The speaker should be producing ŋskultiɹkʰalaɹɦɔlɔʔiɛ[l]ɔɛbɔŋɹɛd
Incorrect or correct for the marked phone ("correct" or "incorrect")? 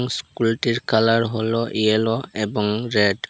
correct